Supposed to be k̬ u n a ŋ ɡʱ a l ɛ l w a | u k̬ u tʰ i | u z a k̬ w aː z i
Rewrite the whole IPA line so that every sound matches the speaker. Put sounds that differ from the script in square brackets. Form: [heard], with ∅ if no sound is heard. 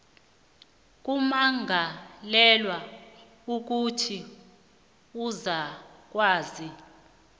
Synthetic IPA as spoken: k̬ u [m] a ŋ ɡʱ a l ɛ l w a | u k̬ u tʰ i | u z a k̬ w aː z i

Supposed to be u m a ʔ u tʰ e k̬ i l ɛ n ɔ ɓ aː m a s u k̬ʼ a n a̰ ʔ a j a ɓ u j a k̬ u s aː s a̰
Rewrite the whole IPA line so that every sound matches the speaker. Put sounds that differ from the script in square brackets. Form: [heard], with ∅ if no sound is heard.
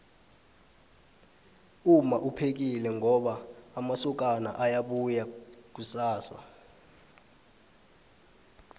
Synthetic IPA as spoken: u m a ʔ u [pʰ] e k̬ i l ɛ [ŋ] ɔ ɓ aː m a s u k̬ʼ a n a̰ ʔ a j a ɓ u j a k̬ u s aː s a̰

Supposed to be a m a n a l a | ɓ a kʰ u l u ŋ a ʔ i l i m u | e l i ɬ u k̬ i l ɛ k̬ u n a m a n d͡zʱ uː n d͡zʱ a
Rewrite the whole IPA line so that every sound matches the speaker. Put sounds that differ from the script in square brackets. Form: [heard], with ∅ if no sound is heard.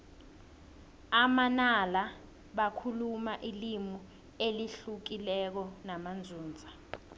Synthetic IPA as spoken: a m a n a l a | ɓ a kʰ u l u [m] a ʔ i l i m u | e l i ɬ u k̬ i l ɛ k̬ [ɔ] n a m a n d͡zʱ uː n d͡zʱ a

